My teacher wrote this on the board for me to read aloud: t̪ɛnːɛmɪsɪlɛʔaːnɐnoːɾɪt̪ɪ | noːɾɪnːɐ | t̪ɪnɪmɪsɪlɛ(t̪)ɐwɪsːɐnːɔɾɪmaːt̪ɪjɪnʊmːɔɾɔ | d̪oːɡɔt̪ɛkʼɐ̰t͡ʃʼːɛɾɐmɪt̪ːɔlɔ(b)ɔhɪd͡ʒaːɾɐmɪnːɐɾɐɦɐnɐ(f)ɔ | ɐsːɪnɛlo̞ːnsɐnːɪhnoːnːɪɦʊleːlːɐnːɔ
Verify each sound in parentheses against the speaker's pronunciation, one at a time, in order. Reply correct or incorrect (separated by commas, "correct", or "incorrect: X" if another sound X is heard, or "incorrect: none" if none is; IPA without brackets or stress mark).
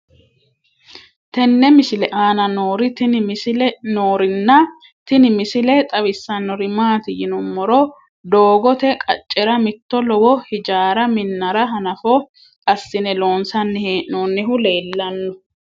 incorrect: t̪ʼ, incorrect: w, correct